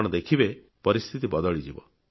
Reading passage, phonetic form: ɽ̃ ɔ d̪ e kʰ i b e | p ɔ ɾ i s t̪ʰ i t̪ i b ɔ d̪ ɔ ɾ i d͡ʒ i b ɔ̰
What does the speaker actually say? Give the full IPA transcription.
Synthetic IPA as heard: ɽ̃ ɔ d̪ e kʰ i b e | p ɔ ɾ i s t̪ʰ i t̪ i b ɔ d̪ ɔ ɭ i d͡ʒ i b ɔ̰